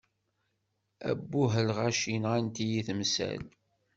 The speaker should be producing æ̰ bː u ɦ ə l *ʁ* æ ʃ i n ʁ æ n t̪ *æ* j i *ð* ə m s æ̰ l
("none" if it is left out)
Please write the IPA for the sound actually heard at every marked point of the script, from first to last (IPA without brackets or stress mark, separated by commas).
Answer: ʁ, i, θ